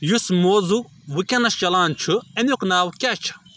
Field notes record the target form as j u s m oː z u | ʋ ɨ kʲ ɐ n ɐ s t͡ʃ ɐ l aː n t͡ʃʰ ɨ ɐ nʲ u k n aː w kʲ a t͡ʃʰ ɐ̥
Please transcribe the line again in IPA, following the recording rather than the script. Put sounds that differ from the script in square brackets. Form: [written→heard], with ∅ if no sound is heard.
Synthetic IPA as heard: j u s m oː z u | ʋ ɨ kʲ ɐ n ɐ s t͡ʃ ɐ l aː n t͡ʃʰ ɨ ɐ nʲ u k n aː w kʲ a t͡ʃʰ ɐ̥